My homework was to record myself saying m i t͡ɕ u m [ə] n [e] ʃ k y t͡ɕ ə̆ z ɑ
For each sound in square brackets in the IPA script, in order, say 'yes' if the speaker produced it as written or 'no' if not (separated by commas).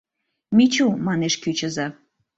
no, yes